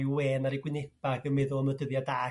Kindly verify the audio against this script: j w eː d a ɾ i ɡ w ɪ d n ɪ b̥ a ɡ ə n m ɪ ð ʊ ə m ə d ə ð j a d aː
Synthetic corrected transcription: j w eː n a ɾ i ɡ w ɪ n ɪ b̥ a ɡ ə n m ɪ ð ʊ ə m ə d ə ð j a d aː

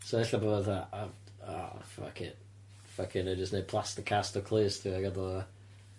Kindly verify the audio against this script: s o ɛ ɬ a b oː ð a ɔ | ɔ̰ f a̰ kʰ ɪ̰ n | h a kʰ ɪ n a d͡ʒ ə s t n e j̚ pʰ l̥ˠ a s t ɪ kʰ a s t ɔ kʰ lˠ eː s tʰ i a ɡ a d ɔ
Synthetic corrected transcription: s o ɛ ɬ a b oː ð a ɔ | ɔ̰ f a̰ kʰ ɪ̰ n | f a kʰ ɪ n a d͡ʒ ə s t n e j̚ pʰ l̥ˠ a s t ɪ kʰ a s t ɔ kʰ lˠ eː s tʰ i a ɡ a d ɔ

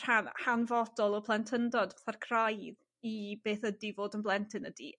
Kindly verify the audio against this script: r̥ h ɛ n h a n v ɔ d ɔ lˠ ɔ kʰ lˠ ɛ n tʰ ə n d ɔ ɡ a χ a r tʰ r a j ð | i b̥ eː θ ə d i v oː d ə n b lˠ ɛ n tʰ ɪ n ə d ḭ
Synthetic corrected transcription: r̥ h a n h a n v ɔ d ɔ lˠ ɔ pʰ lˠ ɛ n tʰ ə n d ɔ d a θ a r kʰ r a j ð | i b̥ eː θ ə d i v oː d ə n b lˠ ɛ n tʰ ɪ n ə d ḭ

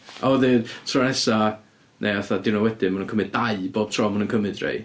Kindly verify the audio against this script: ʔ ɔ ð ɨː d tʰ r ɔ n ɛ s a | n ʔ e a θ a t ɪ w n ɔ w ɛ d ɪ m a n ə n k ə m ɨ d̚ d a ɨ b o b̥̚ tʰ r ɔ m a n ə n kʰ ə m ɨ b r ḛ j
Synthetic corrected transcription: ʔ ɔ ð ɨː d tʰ r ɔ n ɛ s a | n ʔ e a θ a d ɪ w n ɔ w ɛ d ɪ m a n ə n k ə m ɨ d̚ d a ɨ b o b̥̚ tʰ r ɔ m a n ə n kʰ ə m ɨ d r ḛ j

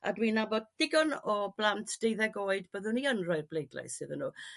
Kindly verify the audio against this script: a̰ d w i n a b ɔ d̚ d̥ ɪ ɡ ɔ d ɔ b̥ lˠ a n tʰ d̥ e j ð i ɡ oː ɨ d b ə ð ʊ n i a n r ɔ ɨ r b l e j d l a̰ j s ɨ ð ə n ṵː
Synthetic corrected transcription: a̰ d w i n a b ɔ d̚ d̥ ɪ ɡ ɔ n ɔ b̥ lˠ a n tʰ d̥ e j ð ɛ ɡ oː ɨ d b ə ð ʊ n i ə n r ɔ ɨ r b l e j d l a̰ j s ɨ ð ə n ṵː

